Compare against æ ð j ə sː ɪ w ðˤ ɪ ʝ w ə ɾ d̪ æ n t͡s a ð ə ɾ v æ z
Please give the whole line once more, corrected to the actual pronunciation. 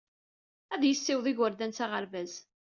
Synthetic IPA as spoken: æ ð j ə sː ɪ w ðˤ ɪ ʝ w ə ɾ d̪ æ n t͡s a ʁ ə ɾ v æ z